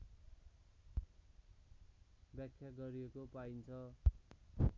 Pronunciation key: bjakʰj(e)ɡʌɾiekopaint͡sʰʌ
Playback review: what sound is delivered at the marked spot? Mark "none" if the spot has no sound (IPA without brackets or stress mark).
a